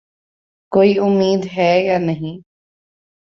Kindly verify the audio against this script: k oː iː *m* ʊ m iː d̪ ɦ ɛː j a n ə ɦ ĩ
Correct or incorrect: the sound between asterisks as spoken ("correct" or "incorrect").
incorrect